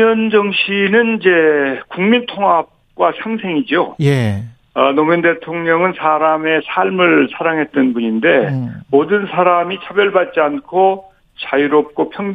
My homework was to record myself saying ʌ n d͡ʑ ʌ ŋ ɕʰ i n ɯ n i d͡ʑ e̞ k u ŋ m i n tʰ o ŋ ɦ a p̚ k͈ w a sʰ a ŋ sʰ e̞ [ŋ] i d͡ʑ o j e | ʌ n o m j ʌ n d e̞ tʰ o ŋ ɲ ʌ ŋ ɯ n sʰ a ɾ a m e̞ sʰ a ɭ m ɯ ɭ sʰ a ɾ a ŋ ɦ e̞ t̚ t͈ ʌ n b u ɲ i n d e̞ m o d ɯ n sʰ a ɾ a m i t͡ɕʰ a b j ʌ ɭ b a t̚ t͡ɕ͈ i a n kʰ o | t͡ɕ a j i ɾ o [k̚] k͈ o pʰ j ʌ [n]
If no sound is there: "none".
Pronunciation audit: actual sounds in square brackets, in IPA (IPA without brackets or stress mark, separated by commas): ŋ, p̚, ŋ